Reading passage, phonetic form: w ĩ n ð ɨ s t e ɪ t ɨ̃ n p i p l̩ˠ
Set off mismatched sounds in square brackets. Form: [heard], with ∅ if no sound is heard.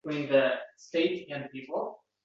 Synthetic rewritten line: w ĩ n ð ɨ s t e ɪ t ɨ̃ n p i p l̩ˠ